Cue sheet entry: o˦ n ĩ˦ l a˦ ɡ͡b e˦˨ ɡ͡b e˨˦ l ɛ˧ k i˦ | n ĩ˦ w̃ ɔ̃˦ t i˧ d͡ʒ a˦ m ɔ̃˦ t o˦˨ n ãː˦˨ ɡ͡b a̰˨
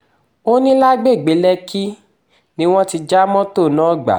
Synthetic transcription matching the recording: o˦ n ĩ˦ l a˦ ɡ͡b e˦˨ ɡ͡b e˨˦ l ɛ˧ k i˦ | n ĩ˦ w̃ ɔ̃˦ t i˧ d͡ʒ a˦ m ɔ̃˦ t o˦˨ n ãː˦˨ ɡ͡b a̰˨